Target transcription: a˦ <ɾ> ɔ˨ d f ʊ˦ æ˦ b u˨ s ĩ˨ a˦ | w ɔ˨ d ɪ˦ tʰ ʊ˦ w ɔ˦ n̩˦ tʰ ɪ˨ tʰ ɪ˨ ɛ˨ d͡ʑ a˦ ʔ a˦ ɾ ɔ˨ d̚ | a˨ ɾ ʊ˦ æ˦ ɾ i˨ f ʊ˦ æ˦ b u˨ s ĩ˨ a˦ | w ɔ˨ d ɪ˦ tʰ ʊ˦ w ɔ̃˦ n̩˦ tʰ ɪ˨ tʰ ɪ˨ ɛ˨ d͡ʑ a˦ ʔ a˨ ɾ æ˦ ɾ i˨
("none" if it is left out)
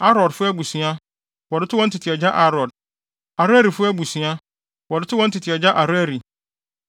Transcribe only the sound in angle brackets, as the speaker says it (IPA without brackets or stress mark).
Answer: ɾ